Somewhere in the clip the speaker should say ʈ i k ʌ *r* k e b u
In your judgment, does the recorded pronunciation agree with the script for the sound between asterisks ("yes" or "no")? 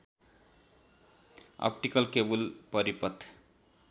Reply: no